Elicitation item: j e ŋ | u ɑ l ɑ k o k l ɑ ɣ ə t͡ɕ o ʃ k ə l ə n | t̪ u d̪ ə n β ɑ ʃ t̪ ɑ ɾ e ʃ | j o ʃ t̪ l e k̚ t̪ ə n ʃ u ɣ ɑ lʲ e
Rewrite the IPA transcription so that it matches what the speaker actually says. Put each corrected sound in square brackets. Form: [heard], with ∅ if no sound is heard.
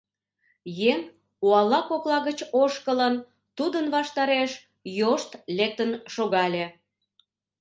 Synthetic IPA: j e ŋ | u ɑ l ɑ k o k l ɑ ɣ ə t͡ɕ o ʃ k ə l ə n | t̪ u d̪ ə n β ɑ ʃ t̪ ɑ ɾ e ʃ | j o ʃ t̪ l e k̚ t̪ ə n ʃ [o] ɣ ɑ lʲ e